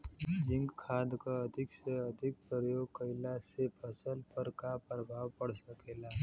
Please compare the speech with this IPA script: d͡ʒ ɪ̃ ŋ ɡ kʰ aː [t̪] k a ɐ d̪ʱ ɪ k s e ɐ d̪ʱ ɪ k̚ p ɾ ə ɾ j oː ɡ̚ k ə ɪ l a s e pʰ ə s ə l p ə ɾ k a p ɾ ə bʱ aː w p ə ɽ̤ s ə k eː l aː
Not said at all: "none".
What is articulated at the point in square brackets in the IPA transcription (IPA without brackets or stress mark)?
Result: d̪